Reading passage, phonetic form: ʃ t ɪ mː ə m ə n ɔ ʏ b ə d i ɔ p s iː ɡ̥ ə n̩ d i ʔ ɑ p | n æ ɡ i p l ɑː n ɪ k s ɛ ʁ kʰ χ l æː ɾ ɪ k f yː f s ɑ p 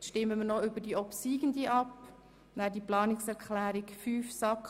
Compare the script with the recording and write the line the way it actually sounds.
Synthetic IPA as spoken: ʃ t ɪ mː ə m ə n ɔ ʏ b ə d i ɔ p s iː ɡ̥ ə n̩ d i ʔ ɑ p | n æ d i p l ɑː n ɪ k s ɛ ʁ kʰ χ l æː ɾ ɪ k f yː f s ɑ k

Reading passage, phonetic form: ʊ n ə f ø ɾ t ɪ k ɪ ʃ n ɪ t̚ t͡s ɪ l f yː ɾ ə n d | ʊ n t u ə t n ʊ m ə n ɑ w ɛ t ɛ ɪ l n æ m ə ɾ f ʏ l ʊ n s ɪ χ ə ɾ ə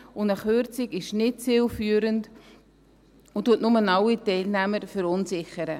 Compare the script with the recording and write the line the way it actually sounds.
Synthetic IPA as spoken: ʊ n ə χ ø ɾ t͡s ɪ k ɪ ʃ n ɪ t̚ t͡s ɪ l f yː ɾ ə n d | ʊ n t u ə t n ʊ m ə n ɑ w i t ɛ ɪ l n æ m ə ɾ f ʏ ɾ ʊ n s ɪ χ ə ɾ ə

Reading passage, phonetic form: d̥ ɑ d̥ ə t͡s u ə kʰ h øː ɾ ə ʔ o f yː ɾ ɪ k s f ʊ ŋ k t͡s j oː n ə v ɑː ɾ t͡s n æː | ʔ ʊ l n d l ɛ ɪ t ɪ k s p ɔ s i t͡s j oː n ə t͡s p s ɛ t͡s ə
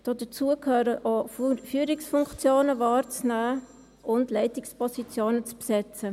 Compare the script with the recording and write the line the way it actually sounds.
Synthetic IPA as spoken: d̥ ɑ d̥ ə t͡s u ə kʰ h øː ɾ ə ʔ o f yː ɾ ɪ k s f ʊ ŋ k t͡s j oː n ə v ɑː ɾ t͡s n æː | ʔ ʊ n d l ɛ ɪ t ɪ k s p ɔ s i t͡s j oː n ə t͡s p s ɛ t͡s ə

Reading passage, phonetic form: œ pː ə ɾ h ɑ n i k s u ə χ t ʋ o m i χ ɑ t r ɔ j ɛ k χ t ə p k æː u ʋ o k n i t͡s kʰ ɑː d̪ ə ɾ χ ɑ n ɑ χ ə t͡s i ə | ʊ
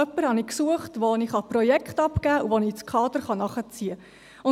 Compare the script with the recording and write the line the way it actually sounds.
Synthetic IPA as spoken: œ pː ə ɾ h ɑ n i k s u ə χ t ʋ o n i χ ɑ p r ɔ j ɛ k χ t ɑ p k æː u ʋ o n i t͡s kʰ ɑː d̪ ə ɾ χ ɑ n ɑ χ ə t͡s i ə | ʊ

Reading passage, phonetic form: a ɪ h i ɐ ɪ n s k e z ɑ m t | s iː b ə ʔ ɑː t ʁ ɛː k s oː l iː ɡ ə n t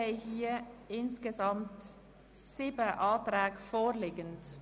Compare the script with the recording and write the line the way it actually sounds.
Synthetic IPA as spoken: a ɪ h iː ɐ ɪ n s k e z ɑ m t | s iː b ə ʔ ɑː t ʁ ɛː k f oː l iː ɡ ə n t

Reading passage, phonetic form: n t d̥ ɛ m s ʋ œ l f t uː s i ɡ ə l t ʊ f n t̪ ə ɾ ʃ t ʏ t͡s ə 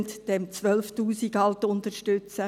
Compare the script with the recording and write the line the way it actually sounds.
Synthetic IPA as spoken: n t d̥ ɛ m t͡s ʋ œ l f t uː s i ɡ ɑ l t ʊ n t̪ ə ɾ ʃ t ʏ t͡s ə

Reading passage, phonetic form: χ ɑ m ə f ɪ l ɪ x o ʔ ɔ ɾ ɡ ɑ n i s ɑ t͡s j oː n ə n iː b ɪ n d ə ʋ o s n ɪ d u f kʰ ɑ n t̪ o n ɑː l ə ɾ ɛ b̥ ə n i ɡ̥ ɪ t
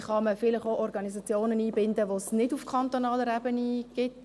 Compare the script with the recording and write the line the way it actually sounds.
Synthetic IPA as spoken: χ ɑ m ə f ɪ l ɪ χ o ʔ ɔ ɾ ɡ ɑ n i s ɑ t͡s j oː n ə n iː b ɪ n d ə ʋ o s n ɪ d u f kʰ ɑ n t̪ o n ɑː l ə ɾ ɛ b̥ ə n i ɡ̥ ɪ t

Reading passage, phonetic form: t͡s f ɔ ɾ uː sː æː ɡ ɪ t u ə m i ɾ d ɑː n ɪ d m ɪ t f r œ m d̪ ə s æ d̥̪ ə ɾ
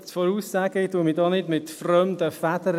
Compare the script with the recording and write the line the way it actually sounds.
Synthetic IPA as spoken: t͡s f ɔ ɾ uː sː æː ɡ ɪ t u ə m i d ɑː n ɪ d m ɪ t f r œ m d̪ ə f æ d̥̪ ə ɾ

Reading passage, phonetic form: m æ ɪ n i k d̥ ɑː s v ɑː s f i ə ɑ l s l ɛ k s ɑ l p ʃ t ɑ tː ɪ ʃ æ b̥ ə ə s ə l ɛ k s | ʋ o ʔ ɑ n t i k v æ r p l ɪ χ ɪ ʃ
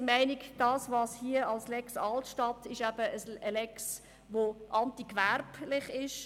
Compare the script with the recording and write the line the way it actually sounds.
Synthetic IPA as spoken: m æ ɪ n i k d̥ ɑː s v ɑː s h i ə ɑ l s l ɛ k s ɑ l t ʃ t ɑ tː ɪ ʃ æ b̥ ə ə s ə l ɛ k s | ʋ o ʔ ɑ n t i k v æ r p l ɪ χ ɪ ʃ

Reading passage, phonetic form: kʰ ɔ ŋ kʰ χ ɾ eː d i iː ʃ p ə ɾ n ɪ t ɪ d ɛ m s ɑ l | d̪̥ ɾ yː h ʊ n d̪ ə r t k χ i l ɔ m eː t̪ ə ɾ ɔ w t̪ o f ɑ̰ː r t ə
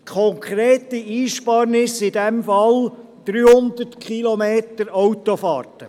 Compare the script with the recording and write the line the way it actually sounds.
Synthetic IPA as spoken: kʰ ɔ ŋ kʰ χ ɾ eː t i iː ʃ p ɑ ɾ n ɪ s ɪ d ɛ m f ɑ l | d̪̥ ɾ yː h ʊ n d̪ ə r t k χ i l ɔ m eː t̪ ə ɾ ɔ w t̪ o f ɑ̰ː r t ə

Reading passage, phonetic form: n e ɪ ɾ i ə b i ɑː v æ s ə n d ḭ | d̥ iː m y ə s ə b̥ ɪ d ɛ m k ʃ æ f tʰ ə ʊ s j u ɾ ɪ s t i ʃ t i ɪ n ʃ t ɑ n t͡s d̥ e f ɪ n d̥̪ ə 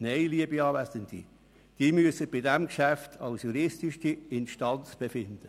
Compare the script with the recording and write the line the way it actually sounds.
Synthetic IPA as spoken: n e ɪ l i ə b i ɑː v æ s ə n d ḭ | d̥ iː m y ə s ə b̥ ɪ d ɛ m k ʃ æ f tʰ ɑ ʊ s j u ɾ ɪ s t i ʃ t i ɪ n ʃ t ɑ n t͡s b̥ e f ɪ n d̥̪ ə

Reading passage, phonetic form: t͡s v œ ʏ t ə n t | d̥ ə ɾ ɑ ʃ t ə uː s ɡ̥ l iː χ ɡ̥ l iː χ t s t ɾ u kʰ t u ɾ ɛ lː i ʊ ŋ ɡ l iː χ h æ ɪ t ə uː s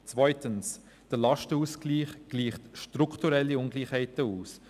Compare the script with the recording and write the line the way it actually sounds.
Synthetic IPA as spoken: t͡s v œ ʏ t ə n s | d̥ ə l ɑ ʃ t ə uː s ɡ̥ l iː χ ɡ̥ l iː χ t ʃ t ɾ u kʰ t u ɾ ɛ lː i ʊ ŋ ɡ l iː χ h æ ɪ t ə uː s

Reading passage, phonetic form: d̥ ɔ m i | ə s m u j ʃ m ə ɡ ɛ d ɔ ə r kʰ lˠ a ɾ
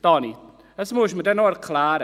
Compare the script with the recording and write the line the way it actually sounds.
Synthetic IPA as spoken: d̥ ɔ n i | ə s m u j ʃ m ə d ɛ n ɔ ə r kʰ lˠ a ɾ

